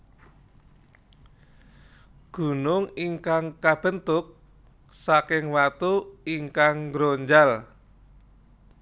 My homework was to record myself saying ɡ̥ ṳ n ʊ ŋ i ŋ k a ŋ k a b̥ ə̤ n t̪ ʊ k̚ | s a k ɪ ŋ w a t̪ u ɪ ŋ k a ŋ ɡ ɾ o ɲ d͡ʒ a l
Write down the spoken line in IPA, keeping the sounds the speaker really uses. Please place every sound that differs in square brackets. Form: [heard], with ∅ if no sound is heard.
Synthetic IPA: ɡ̥ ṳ n ʊ ŋ i ŋ k a ŋ k a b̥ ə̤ n t̪ ʊ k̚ | s a k ɪ ŋ w a t̪ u [i] ŋ k a ŋ ɡ ɾ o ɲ d͡ʒ a l